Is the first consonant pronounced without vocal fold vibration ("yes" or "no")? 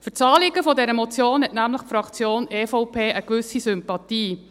yes